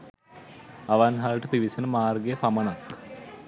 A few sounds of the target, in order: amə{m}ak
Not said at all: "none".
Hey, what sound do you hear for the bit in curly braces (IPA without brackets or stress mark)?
n